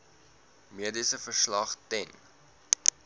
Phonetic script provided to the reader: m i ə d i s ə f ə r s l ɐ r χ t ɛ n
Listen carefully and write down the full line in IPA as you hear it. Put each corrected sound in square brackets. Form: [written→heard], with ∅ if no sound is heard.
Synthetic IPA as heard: m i ə d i s ə f ə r s l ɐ [r→∅] χ t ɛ n